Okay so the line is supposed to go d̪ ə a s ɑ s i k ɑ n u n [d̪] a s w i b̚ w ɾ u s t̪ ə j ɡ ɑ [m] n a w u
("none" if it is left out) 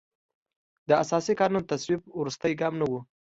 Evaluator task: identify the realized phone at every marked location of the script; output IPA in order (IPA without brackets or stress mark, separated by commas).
t̪, m